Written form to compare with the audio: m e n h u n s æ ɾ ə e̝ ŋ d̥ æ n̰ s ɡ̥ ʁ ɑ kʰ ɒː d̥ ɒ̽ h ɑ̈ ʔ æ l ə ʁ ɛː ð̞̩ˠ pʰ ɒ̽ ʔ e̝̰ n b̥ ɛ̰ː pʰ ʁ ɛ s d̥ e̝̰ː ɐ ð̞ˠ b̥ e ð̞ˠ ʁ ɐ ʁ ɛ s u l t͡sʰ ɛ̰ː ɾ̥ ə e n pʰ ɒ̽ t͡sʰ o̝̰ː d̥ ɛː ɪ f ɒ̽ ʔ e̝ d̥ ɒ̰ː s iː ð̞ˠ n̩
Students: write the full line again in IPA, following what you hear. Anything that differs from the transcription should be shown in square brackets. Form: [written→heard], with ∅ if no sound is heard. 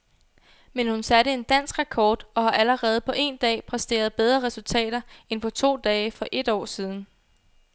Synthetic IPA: m e n h u n s æ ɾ ə e̝ [ŋ→n] d̥ æ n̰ s ɡ̥ ʁ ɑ kʰ ɒː d̥ ɒ̽ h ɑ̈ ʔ æ l ə ʁ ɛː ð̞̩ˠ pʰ ɒ̽ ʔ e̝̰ n [b̥→d̥] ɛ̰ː pʰ ʁ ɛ s d̥ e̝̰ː ɐ ð̞ˠ b̥ e ð̞ˠ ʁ ɐ ʁ ɛ s u l t͡sʰ ɛ̰ː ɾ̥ [ə→ɐ] e n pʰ ɒ̽ t͡sʰ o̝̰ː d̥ ɛː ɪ f ɒ̽ ʔ e̝ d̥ ɒ̰ː s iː ð̞ˠ n̩

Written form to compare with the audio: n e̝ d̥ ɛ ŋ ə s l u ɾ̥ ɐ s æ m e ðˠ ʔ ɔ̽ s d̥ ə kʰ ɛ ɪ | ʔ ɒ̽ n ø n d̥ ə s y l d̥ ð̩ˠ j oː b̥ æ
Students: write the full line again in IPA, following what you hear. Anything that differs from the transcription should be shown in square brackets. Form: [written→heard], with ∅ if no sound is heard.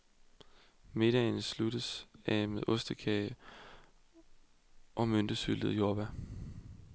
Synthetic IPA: [n→m] e̝ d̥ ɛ [ŋ→n] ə s l u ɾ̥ [ɐ→ə] s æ m e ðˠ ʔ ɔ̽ s d̥ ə kʰ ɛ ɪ | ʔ ɒ̽ [n→m] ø n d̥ ə s y l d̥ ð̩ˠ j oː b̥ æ

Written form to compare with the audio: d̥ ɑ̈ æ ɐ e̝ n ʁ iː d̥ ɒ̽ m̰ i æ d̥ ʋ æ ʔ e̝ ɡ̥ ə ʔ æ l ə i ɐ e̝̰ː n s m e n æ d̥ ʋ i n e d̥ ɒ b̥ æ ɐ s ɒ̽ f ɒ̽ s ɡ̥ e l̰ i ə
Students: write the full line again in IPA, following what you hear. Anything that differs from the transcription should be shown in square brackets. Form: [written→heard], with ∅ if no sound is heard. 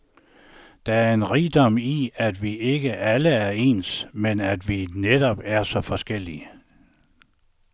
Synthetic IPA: d̥ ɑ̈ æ ɐ e̝ n ʁ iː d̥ ɒ̽ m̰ i æ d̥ ʋ [æ→i] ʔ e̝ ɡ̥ ə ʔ æ l ə [i→æ] ɐ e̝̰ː n s m e n æ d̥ ʋ i n e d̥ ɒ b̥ æ ɐ s ɒ̽ f ɒ̽ s ɡ̥ e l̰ i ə

